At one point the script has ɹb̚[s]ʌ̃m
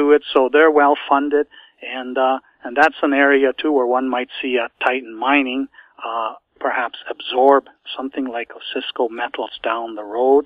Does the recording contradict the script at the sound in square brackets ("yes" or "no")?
no